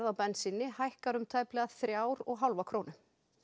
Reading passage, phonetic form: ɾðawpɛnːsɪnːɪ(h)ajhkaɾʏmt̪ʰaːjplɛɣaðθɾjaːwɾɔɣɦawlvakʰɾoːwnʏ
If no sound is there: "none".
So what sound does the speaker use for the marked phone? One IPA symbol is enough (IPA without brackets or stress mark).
h